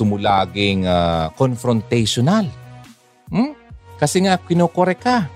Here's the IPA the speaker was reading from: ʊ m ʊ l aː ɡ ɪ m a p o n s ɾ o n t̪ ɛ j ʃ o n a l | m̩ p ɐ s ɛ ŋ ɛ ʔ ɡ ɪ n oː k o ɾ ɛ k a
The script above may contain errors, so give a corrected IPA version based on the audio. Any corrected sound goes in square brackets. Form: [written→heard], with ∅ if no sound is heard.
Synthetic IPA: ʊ m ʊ l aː ɡ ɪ [m→ŋ] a [p→k] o n [s→f] ɾ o n t̪ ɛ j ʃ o n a l | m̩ [p→k] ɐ s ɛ ŋ [ɛ→a] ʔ [ɡ→k] ɪ n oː k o ɾ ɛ k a